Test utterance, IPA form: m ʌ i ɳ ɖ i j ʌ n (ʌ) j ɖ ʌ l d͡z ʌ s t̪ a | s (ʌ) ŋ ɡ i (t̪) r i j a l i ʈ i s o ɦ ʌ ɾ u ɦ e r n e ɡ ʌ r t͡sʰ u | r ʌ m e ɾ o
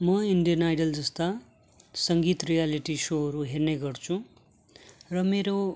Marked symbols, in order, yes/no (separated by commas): no, yes, yes